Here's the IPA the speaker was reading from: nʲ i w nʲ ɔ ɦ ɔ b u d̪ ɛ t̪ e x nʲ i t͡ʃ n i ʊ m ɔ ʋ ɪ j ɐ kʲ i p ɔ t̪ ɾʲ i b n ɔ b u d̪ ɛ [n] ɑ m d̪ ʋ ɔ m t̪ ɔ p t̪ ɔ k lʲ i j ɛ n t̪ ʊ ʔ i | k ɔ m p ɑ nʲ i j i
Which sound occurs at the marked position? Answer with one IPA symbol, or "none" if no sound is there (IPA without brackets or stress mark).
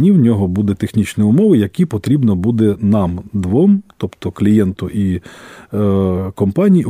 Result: n